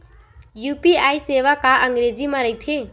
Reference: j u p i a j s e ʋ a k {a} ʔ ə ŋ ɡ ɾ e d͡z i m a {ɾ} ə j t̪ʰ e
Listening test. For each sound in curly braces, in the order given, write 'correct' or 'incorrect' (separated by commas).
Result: correct, correct